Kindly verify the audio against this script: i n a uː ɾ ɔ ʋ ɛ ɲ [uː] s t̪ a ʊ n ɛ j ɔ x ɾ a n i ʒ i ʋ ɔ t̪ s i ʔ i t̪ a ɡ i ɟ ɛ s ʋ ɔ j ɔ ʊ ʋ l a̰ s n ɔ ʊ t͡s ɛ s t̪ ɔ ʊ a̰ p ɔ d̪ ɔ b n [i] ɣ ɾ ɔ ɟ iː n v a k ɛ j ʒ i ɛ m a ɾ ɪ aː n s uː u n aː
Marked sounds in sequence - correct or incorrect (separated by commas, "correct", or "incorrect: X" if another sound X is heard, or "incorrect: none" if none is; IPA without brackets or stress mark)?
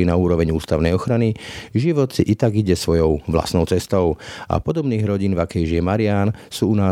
correct, incorrect: iː